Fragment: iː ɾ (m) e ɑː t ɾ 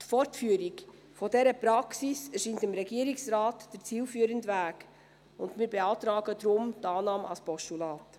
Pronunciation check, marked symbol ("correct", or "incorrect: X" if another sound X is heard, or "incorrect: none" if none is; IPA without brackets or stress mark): incorrect: b